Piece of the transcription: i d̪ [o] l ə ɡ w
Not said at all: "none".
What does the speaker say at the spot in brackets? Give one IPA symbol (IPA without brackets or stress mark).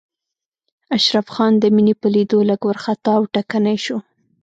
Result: o